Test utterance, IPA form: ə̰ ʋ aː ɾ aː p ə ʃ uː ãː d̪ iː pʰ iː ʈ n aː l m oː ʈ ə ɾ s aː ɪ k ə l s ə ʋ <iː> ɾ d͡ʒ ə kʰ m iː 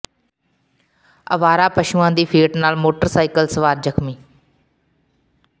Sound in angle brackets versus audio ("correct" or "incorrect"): incorrect